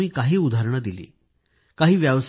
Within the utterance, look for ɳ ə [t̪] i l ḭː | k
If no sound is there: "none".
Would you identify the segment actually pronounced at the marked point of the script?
d̪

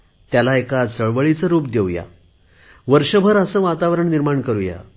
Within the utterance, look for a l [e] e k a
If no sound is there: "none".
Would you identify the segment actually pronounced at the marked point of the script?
a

